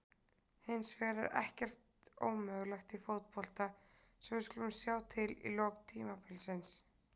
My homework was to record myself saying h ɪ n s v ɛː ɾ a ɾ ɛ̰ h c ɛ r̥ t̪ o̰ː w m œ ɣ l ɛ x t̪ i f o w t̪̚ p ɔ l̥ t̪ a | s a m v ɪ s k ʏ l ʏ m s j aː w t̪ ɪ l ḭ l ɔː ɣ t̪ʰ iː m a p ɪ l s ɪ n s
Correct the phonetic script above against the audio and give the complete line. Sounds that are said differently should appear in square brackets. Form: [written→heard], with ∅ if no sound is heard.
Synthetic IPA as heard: h ɪ n s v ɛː ɾ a ɾ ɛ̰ h c ɛ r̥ t̪ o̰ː w m œ ɣ l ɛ x t̪ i f o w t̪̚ p ɔ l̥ t̪ a | s [a→ɛ] m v ɪ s k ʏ l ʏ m s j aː w [t̪→t̪ʰ] ɪ l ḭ l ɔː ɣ t̪ʰ iː m a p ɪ l s ɪ n s